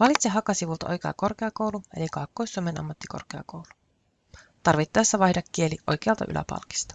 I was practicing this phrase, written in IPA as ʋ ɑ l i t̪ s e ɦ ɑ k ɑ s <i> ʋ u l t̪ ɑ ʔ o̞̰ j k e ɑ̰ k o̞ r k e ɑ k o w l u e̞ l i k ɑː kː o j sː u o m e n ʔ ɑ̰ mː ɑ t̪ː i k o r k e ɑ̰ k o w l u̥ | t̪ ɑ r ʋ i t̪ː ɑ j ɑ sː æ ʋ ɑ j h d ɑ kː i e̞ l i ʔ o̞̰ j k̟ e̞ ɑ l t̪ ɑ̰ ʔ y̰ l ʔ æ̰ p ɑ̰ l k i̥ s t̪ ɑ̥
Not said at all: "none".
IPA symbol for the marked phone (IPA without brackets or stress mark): i